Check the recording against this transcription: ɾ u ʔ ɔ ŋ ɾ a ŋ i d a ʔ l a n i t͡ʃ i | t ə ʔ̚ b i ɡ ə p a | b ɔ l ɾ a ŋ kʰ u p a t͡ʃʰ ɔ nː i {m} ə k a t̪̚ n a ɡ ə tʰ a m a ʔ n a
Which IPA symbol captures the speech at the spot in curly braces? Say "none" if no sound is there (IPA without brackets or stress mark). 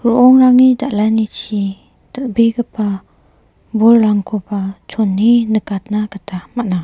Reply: n